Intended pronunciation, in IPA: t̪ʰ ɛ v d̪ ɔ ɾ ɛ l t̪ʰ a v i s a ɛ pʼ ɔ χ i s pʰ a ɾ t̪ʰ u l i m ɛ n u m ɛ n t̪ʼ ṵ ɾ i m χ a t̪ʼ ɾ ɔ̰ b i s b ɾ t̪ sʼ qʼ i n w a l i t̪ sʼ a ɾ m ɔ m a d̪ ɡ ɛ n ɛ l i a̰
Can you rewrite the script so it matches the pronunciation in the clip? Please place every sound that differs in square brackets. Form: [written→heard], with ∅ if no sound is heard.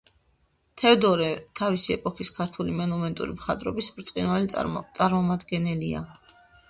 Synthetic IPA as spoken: t̪ʰ ɛ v d̪ ɔ ɾ ɛ [l→∅] t̪ʰ a v i s [a→i] ɛ pʼ ɔ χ i s [pʰ→kʰ] a ɾ t̪ʰ u l i m ɛ n u m ɛ n t̪ʼ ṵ ɾ i m χ a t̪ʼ ɾ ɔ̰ b i s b ɾ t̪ sʼ qʼ i n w a l i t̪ sʼ a ɾ m ɔ m a d̪ ɡ ɛ n ɛ l i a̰

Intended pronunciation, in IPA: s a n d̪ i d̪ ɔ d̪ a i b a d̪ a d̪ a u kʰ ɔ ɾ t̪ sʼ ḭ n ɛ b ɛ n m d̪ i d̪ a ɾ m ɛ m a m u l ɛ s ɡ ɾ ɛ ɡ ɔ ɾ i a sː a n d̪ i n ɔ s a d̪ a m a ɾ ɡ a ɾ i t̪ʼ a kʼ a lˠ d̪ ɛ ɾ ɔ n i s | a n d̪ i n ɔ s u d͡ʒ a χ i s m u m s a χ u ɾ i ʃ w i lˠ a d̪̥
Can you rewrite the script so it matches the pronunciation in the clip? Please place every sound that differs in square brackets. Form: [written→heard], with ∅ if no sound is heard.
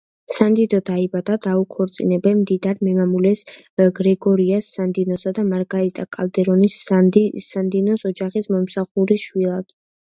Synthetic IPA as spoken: s a n d̪ i d̪ ɔ d̪ a i b a d̪ a d̪ a u kʰ ɔ ɾ t̪ sʼ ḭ n ɛ b ɛ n m d̪ i d̪ a ɾ m ɛ m a m u l ɛ s ɡ ɾ ɛ ɡ ɔ ɾ i a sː a n d̪ i n ɔ s a d̪ a m a ɾ ɡ a ɾ i t̪ʼ a kʼ a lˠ d̪ ɛ ɾ ɔ n i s | a n d̪ i n ɔ s [u→ɔ] d͡ʒ a χ i s m [u→ɔ] m s a χ u ɾ i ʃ w i lˠ a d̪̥

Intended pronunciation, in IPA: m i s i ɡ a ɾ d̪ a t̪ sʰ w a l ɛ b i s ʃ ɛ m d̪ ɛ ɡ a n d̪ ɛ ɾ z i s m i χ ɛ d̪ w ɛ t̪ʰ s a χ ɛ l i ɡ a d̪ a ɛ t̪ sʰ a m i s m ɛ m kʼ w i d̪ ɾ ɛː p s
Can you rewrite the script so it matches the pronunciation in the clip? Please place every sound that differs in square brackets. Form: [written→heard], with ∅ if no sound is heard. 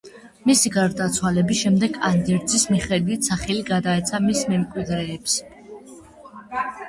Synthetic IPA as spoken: m i s i ɡ a ɾ d̪ a t̪ sʰ w a l ɛ b i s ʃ ɛ m d̪ ɛ ɡ a n d̪ ɛ ɾ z i s m i χ ɛ d̪ w [ɛ→i] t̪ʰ s a χ ɛ l i ɡ a d̪ a ɛ t̪ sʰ a m i s m ɛ m kʼ w i d̪ ɾ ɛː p s

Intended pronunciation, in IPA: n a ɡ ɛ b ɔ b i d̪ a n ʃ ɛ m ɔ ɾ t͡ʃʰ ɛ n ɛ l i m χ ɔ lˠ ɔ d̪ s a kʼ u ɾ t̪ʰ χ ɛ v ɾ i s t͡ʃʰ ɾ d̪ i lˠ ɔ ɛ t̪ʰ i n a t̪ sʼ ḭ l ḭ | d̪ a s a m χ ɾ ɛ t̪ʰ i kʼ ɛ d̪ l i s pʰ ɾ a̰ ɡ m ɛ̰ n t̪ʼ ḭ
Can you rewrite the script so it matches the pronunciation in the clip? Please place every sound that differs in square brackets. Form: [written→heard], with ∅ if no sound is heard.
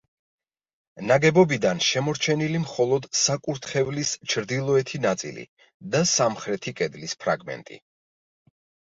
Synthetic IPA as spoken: n a ɡ ɛ b ɔ b i d̪ a n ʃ ɛ m ɔ ɾ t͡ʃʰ ɛ n [ɛ→i] l i m χ ɔ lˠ ɔ d̪ s a kʼ u ɾ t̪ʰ χ ɛ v [ɾ→l] i s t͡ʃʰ ɾ d̪ i lˠ ɔ ɛ t̪ʰ i n a t̪ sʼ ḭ l ḭ | d̪ a s a m χ ɾ ɛ t̪ʰ i kʼ ɛ d̪ l i s pʰ ɾ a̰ ɡ m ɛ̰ n t̪ʼ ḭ

